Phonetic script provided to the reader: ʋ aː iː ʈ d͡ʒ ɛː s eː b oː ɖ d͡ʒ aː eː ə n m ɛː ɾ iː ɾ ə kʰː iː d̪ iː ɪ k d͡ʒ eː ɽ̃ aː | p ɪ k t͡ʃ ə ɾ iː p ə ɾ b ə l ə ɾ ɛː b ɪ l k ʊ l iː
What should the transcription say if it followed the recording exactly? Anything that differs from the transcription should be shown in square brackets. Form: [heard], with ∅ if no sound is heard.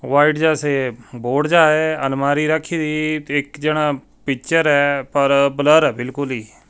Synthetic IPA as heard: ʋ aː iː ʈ d͡ʒ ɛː s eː b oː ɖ d͡ʒ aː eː ə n m [aː] ɾ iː ɾ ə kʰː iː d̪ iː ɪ k d͡ʒ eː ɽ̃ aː | p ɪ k t͡ʃ ə ɾ [ɛː] p ə ɾ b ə l ə ɾ ɛː b ɪ l k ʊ l iː